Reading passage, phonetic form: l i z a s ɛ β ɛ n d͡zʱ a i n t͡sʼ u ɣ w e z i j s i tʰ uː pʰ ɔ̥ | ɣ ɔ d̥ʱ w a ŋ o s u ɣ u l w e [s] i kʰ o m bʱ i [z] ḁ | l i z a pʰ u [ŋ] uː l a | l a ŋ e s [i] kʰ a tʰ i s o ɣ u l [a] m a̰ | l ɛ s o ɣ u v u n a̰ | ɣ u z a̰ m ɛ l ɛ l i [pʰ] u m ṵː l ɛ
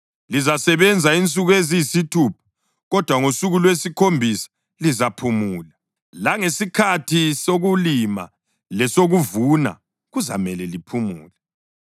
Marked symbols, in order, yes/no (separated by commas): yes, no, no, yes, no, yes